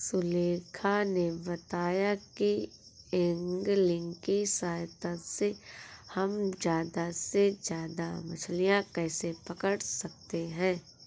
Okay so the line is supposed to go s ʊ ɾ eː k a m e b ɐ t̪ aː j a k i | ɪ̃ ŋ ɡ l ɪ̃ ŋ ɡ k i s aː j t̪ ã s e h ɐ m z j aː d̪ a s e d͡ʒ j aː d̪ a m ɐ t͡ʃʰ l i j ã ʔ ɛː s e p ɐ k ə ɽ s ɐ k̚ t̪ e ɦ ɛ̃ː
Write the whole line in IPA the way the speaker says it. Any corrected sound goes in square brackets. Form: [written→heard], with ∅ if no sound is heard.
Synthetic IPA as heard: s ʊ [ɾ→l] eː [k→kʰ] a [m→n] e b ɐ t̪ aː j a k i | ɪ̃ ŋ ɡ l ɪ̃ ŋ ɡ k i s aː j t̪ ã s e h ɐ m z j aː d̪ a s e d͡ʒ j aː d̪ a m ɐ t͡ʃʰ l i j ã [ʔ→k] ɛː s e p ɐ k ə ɽ s ɐ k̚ t̪ e ɦ ɛ̃ː